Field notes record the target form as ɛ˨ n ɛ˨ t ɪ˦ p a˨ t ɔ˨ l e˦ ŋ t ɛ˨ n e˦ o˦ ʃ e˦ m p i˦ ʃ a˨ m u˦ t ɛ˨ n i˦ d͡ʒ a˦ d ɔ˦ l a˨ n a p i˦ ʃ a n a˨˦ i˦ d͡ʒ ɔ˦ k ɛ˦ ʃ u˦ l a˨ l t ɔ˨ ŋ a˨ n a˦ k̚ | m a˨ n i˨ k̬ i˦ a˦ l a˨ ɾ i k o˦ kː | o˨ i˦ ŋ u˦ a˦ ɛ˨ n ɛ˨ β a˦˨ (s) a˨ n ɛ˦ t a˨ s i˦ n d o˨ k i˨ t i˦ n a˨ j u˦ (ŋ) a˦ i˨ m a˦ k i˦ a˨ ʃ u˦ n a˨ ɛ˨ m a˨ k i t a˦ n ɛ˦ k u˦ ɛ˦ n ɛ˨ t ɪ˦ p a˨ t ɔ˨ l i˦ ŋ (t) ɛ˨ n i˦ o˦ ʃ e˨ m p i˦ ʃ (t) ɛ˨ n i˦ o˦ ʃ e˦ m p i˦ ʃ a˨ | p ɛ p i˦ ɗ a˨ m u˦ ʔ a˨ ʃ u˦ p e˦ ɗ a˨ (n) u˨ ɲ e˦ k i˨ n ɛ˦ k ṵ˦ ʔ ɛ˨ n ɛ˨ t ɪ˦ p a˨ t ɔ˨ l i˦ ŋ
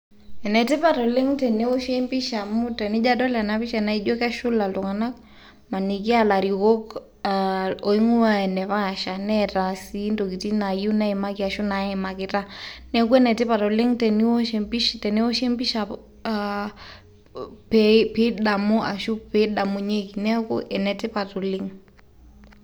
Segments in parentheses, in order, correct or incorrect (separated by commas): incorrect, incorrect, correct, correct, incorrect